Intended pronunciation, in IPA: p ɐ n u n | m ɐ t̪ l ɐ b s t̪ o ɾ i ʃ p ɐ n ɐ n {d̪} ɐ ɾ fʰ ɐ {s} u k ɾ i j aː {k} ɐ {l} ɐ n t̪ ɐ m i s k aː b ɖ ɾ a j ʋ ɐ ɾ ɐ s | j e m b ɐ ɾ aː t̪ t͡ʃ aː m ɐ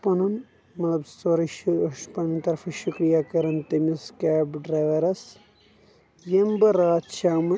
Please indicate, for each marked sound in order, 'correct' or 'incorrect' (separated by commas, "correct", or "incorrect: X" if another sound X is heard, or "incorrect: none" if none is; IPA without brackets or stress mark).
incorrect: t̪, incorrect: ʃ, correct, incorrect: ɾ